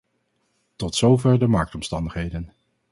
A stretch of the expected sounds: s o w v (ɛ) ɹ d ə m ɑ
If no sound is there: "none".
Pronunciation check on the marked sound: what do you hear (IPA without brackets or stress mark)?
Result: ɛ